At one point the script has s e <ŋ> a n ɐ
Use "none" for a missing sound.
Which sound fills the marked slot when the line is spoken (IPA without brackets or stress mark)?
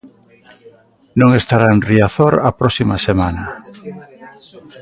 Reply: m